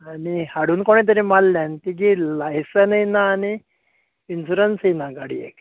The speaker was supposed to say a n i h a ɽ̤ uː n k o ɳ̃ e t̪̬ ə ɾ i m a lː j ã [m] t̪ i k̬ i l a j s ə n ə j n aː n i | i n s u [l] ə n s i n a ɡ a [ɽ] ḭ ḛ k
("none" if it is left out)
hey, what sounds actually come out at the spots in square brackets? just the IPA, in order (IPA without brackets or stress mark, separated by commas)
n, ɾ, ɽ